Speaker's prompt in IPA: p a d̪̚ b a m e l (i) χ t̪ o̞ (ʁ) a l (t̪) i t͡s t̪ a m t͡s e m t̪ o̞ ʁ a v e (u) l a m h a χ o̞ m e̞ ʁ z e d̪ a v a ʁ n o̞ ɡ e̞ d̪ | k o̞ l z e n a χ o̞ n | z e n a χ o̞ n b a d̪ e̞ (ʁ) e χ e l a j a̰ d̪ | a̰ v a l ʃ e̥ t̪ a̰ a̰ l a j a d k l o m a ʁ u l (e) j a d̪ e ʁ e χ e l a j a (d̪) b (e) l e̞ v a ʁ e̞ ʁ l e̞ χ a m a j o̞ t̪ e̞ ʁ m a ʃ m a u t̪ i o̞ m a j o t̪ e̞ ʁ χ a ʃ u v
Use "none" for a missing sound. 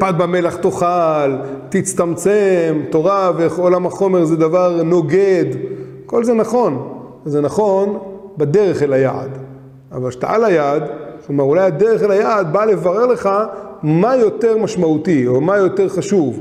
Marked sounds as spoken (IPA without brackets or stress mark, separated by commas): a, χ, t̪, o, ʁ, a, d̪, a